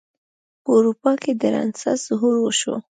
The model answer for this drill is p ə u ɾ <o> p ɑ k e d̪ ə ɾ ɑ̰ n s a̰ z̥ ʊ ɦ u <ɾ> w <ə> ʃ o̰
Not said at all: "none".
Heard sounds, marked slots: u, ɾ, ə

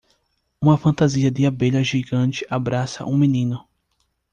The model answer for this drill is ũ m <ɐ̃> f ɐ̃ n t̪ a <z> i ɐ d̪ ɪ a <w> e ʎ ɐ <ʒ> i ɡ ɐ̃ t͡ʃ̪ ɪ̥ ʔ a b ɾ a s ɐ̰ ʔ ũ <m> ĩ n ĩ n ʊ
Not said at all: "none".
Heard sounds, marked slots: ɐ, z, b, ʒ, m

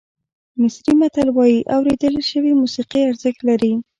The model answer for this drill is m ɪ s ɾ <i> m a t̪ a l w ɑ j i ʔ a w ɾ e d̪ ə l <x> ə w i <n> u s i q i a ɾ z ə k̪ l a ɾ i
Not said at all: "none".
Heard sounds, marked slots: i, ʃ, m

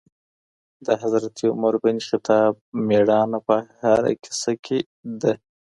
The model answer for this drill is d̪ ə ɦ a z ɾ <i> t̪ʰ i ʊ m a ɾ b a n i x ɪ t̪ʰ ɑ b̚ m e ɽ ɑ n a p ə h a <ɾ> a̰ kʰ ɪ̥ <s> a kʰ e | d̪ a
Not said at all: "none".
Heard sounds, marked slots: a, ɾ, s

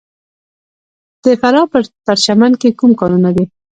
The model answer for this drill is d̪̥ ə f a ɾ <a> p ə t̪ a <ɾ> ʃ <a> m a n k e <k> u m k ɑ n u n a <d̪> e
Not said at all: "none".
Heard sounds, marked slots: ɑ, ɾ, a, k, d̪

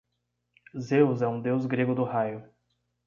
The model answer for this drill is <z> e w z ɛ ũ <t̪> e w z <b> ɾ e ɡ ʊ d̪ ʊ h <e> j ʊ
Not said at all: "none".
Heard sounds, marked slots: z, d̪, ɡ, a

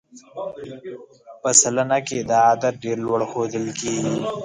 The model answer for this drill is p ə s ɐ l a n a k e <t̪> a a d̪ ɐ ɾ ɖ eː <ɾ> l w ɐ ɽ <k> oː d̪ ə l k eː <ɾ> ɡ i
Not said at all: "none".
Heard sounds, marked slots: d̪, ɾ, x, none

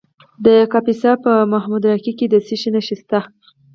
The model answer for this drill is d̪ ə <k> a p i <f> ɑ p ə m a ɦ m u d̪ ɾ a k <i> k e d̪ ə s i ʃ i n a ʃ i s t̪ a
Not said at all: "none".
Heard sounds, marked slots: k, s, i

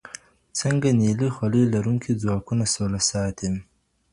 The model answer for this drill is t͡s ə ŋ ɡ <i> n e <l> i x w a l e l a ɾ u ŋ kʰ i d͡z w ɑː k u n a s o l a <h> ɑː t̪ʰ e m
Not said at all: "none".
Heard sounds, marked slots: a, l, s

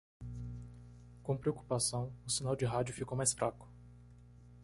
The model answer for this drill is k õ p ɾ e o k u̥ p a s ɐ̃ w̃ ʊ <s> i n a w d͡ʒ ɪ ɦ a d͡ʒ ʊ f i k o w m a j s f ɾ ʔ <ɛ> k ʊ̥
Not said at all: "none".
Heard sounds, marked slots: s, a

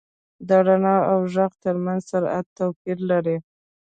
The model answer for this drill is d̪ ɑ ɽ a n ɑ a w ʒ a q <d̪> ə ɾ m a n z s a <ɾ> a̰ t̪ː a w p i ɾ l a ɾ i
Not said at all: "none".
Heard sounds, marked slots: t̪, ɾ

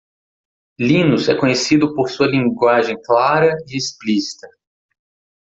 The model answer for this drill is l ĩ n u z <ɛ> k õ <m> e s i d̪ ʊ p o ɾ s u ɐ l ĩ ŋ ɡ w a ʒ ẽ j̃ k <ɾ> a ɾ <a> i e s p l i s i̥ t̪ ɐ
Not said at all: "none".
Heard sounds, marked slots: ɛ, ɲ, l, ɐ

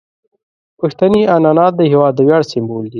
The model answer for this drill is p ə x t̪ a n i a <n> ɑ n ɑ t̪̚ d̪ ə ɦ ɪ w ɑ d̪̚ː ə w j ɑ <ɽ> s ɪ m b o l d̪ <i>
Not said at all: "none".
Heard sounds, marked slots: n, ɽ, i

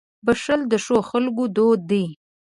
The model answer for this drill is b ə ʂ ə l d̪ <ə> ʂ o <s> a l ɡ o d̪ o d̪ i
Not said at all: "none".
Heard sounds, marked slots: ə, x

